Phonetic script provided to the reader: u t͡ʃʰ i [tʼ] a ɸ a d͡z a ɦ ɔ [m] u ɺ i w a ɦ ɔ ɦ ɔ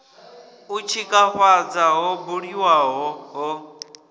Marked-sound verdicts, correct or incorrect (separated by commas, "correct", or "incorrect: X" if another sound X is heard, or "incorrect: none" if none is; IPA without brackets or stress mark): incorrect: kʼ, incorrect: b